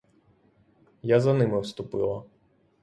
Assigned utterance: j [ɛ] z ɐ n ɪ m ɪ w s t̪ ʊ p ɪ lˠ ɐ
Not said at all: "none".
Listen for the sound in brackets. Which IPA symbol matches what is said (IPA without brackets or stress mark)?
a